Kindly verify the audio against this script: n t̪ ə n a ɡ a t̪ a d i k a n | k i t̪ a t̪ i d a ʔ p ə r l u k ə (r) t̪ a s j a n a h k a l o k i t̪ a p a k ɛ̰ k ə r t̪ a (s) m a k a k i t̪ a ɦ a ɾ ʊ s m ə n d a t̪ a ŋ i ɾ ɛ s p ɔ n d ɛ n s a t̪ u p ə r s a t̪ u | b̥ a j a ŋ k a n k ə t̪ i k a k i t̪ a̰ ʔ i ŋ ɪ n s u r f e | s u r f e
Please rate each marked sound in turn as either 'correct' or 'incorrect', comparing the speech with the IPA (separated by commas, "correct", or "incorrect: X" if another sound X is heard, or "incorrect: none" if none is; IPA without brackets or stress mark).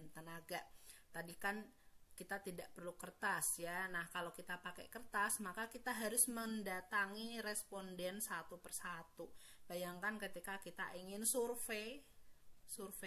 correct, correct